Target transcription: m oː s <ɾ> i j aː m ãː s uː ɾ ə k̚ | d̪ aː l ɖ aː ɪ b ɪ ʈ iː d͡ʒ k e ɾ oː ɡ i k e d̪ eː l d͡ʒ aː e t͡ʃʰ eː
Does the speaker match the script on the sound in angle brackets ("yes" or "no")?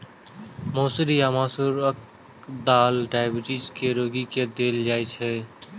yes